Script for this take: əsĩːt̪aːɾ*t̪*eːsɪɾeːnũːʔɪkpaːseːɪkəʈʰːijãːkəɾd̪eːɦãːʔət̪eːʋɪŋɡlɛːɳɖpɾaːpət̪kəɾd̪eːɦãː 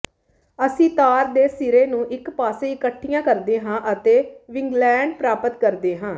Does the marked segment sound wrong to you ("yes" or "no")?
yes